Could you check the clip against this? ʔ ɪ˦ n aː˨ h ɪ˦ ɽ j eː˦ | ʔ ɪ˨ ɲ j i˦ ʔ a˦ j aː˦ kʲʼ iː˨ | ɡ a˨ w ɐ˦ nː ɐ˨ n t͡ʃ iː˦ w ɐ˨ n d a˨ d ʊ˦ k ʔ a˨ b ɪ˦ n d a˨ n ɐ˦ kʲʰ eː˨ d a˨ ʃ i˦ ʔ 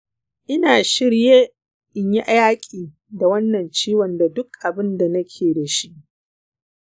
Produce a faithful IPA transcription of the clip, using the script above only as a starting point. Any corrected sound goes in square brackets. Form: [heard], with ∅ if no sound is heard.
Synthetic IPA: ʔ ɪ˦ n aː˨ [ʃ] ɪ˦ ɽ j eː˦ | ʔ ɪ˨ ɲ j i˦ ʔ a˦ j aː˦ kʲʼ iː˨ | [d] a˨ w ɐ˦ nː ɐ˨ n t͡ʃ iː˦ w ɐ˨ n d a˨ d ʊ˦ k ʔ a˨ b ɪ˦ n d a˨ n ɐ˦ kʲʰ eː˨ d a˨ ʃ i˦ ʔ